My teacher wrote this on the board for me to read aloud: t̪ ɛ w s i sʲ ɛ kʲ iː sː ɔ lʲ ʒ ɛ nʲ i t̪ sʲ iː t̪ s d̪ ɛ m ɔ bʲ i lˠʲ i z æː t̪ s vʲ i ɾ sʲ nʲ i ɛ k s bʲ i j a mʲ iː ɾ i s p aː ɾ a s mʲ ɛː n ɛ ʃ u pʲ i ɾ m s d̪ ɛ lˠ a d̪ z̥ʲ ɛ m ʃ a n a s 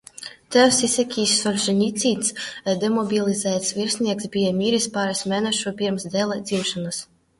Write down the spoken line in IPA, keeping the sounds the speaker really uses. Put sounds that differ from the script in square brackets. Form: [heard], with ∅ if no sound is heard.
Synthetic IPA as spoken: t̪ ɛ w s i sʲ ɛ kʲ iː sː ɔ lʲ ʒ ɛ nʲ i t̪ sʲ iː t̪ s d̪ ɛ m ɔ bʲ i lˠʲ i z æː t̪ s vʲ i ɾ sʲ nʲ i ɛ k s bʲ i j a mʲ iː ɾ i s p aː ɾ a s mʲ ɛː n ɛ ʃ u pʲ i ɾ m s d̪ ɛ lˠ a d̪ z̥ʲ [i] m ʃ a n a s